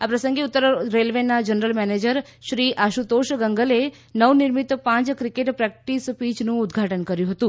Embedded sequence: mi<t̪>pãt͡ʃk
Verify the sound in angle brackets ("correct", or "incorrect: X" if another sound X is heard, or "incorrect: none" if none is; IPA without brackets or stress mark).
correct